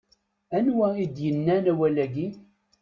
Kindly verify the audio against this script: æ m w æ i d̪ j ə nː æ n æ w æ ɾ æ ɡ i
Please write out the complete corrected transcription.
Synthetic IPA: æ n w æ i d̪ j ə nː æ n æ w æ l æ ɡ i